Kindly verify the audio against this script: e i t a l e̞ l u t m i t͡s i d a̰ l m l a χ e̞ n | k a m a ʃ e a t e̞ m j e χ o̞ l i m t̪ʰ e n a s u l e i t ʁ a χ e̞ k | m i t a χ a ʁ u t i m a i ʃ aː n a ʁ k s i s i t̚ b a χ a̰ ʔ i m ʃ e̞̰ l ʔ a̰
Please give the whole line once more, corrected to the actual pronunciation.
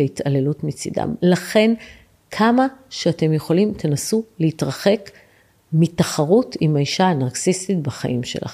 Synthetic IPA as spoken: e i t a l e̞ l u t m i t͡s i d a̰ m l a χ e̞ n | kʰ a m a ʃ e a t e̞ m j e χ o̞ l i m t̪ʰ e n a s u l e i t ʁ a χ e̞ k | m i t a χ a ʁ u t i m a i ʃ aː n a ʁ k s i s i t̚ b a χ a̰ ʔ i m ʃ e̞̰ l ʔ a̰